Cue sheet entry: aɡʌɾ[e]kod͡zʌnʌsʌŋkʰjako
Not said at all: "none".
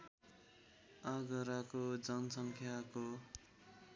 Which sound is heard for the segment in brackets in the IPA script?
a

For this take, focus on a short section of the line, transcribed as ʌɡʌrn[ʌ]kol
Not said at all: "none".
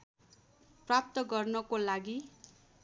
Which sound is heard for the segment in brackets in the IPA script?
ʌ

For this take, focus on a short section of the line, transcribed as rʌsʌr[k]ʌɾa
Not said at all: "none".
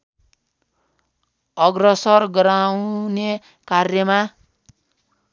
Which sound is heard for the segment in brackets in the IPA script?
ɡ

